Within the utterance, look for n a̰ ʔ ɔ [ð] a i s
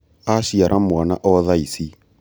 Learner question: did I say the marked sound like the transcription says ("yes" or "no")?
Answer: yes